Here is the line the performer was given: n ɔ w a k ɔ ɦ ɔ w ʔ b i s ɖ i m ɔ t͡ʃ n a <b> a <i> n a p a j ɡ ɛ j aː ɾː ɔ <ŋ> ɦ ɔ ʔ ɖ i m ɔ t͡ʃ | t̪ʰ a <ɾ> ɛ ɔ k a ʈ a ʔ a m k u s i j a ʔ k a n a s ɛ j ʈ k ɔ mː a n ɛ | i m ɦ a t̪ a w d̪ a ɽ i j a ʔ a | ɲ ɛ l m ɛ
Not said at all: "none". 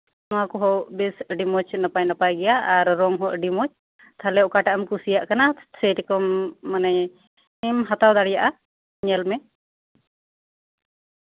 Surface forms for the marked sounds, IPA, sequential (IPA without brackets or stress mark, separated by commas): p, j, ŋ, l